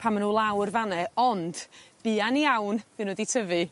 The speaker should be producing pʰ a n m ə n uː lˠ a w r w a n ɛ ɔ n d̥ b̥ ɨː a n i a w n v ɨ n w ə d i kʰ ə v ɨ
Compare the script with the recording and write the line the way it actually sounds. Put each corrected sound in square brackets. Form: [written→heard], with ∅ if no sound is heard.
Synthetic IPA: pʰ a [n→∅] m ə n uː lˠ a w r [w→v] a n ɛ ɔ n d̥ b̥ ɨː a n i a w n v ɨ n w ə d i [kʰ→tʰ] ə v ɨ